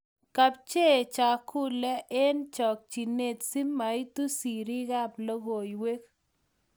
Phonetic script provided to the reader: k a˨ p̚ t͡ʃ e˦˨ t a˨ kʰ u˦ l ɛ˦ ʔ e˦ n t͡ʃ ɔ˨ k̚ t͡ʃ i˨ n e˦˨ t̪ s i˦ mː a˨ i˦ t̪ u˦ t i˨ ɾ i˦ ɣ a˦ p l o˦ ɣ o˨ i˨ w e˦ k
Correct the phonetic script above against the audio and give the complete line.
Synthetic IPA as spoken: k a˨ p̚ t͡ʃ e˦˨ t͡ʃ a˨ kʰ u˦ l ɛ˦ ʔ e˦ n t͡ʃ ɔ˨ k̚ t͡ʃ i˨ n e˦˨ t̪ s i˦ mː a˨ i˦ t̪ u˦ s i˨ ɾ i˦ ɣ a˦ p l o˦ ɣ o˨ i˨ w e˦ k